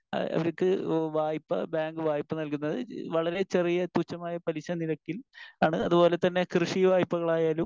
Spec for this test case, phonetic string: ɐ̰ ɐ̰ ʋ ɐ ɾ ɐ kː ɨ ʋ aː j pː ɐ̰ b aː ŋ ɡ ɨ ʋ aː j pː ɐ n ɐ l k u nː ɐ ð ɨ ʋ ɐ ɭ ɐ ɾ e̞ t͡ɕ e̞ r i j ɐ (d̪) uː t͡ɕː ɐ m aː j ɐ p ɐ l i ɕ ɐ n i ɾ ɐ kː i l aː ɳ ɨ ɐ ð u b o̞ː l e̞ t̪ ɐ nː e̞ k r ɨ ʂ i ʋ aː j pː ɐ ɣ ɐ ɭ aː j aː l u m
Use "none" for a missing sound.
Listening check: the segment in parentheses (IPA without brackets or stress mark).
t̪